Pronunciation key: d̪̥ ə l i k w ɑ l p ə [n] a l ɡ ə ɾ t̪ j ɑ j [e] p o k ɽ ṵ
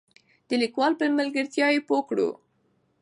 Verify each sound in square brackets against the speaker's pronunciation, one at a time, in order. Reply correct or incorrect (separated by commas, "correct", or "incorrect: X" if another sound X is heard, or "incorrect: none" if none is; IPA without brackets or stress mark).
incorrect: m, correct